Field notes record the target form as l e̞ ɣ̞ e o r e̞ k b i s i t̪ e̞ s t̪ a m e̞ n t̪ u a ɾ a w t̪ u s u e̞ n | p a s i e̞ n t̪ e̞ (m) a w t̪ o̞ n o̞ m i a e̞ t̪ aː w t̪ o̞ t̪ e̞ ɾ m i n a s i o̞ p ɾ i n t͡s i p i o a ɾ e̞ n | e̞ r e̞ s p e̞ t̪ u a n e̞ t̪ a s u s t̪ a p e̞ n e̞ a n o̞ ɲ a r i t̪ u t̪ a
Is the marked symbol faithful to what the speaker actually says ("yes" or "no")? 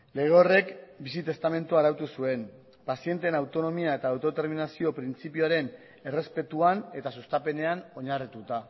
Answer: no